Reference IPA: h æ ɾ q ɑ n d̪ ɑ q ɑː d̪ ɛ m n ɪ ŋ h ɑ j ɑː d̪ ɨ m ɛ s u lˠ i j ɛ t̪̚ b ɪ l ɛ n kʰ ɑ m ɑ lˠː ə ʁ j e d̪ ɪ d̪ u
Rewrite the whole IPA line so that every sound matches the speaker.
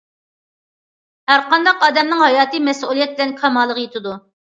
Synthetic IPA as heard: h æ ɾ q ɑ n d̪ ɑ q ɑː d̪ ɛ m n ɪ ŋ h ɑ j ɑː t̪ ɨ m ɛ s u lˠ i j ɛ t̪̚ b ɪ l ɛ n kʰ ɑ m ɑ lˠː ə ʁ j e t̪ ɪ d̪ u